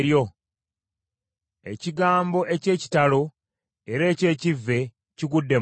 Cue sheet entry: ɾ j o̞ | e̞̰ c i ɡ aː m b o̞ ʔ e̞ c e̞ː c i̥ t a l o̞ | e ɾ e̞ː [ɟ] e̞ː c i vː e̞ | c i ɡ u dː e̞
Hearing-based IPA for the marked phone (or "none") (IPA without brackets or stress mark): c